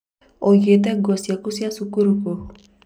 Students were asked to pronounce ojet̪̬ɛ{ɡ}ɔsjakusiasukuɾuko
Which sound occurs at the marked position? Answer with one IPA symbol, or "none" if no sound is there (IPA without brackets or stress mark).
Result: ɡ